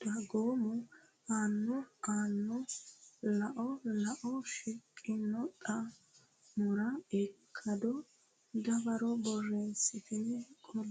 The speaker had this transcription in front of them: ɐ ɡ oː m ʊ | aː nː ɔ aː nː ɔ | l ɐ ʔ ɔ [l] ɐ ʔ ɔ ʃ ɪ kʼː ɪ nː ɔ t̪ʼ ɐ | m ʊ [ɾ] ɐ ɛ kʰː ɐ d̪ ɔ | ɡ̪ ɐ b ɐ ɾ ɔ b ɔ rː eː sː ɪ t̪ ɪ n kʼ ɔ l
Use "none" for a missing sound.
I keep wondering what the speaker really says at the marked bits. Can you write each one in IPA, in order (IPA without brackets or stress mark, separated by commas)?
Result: l, ɾ